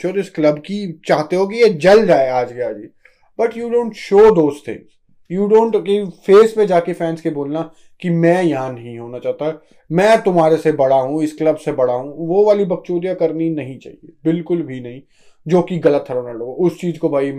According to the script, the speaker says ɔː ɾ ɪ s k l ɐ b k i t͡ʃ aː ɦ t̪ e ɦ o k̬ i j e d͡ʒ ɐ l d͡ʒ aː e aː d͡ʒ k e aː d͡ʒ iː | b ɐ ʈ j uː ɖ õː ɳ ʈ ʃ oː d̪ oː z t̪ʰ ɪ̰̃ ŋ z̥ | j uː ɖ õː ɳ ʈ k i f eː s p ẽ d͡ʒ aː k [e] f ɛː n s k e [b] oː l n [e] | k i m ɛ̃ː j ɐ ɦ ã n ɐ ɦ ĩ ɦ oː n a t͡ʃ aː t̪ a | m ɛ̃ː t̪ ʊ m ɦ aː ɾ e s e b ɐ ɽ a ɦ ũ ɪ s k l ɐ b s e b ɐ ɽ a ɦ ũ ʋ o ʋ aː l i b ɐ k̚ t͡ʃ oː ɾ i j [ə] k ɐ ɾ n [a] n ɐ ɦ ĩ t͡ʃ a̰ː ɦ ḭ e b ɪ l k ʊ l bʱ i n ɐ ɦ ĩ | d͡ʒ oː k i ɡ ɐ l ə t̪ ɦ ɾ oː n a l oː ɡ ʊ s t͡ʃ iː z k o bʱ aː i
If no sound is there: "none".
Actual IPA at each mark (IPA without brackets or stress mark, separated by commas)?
e, b, a, a, i